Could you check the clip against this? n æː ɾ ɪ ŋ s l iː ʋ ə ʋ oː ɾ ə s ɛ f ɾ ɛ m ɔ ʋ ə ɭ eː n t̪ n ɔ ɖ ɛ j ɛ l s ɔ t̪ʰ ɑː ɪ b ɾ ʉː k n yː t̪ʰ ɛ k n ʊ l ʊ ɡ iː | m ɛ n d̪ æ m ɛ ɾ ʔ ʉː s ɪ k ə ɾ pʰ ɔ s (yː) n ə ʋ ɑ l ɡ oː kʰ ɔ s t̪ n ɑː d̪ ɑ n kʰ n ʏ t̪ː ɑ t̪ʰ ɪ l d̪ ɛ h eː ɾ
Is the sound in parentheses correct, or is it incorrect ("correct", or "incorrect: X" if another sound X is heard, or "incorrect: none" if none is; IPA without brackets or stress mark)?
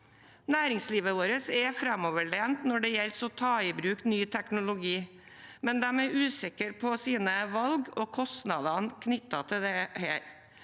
incorrect: iː